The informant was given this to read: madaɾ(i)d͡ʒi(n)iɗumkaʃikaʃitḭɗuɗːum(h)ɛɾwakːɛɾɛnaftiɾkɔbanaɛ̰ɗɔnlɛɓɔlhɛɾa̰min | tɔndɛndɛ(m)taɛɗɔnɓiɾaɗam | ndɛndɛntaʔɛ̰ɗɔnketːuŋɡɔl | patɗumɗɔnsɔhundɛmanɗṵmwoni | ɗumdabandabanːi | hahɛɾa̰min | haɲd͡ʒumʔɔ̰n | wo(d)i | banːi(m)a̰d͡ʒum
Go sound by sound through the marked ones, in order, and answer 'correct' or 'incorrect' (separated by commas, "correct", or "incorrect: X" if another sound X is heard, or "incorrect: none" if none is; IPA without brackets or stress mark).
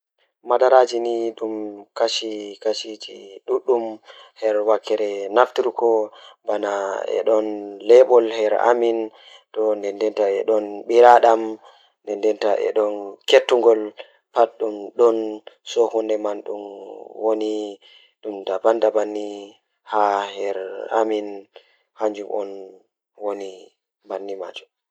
incorrect: a, correct, correct, incorrect: n, incorrect: n, correct